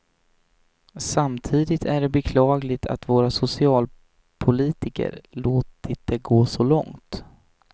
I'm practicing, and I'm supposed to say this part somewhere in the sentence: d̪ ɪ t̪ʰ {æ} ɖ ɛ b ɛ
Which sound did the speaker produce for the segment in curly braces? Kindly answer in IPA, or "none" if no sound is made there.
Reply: æ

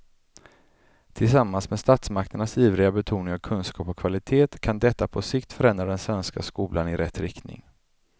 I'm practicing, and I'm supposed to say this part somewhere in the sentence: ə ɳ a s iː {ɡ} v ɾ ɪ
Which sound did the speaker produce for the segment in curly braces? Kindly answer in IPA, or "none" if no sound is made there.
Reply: none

